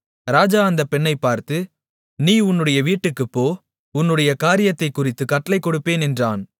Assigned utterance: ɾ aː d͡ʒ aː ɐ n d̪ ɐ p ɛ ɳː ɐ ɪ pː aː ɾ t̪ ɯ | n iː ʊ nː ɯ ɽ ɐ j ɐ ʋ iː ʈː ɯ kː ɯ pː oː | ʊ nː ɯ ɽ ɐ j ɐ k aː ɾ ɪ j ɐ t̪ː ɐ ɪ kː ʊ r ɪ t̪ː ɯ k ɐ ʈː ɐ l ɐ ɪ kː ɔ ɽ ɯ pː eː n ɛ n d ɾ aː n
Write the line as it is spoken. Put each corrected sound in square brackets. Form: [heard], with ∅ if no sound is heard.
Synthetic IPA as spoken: ɾ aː d͡ʒ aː ɐ n d̪ ɐ p ɛ ɳː ɐ ɪ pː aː ɾ t̪ ɯ | n iː ʊ nː ɯ ɽ ɐ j ɐ ʋ iː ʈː ɯ kː ɯ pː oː | ʊ nː ɯ ɽ ɐ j ɐ k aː ɾ ɪ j ɐ t̪ː ɐ ɪ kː ʊ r ɪ t̪ː ɯ k ɐ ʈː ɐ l ɐ ɪ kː ɔ ɽ ɯ pː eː n ɛ n d [r] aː n